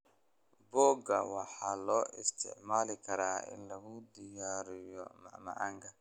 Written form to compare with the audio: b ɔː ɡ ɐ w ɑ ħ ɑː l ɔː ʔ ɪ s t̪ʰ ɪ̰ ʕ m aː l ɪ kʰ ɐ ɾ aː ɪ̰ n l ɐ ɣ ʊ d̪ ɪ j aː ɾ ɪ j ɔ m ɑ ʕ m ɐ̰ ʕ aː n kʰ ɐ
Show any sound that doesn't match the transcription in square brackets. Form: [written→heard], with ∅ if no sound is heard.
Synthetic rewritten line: b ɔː ɡ ɐ w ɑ ħ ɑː l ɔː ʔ ɪ s t̪ʰ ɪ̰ ʕ m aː l ɪ kʰ ɐ ɾ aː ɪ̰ n l ɐ ɣ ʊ d̪ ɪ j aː ɾ ɪ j ɔ m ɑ ʕ m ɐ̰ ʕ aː [n→ŋ] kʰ ɐ